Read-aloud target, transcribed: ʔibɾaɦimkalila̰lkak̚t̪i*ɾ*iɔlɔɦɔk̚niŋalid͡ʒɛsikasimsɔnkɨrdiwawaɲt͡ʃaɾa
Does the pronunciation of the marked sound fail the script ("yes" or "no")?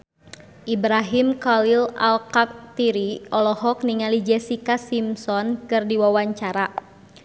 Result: no